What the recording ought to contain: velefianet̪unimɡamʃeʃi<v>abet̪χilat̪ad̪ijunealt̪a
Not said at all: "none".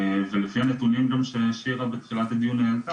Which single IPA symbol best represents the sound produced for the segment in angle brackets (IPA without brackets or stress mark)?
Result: ʁ